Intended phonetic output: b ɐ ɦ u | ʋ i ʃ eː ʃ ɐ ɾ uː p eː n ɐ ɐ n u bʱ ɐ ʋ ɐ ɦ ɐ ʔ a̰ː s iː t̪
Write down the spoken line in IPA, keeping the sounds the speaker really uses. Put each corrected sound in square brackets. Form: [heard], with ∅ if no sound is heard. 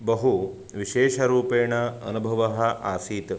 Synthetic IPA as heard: b ɐ ɦ u | ʋ i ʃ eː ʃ ɐ ɾ uː p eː [ɳ] ɐ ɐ n u bʱ ɐ ʋ ɐ ɦ ɐ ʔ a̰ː s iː t̪